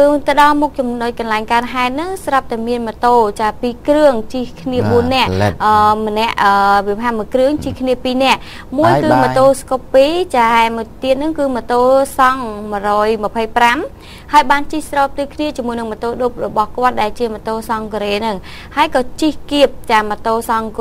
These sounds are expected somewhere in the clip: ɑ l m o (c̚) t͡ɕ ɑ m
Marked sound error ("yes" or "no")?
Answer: yes